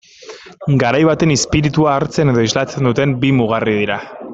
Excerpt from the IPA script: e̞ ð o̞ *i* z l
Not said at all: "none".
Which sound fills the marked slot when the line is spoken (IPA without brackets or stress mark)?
i